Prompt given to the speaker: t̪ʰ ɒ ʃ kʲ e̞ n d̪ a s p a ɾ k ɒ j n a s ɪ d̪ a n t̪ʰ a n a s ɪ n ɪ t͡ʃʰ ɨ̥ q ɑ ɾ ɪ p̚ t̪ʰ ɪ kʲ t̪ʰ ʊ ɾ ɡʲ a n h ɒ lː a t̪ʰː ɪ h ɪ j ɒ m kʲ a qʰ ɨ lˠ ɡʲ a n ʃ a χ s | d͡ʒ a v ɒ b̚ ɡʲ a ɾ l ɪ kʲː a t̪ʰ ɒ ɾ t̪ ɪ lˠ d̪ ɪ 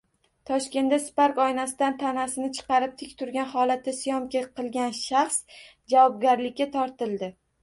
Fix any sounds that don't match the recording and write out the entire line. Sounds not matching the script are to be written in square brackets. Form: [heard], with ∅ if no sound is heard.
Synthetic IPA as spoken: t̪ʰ ɒ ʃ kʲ e̞ n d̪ a s p a ɾ k ɒ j n a s ɪ d̪ a n t̪ʰ a n a s ɪ n ɪ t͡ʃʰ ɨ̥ q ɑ ɾ ɪ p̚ t̪ʰ ɪ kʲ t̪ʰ ʊ ɾ ɡʲ a n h ɒ [l] a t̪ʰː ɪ [s] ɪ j ɒ m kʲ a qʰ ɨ lˠ ɡʲ a n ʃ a χ s | d͡ʒ a v ɒ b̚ ɡʲ a ɾ l ɪ kʲː a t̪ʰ ɒ ɾ t̪ ɪ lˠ d̪ ɪ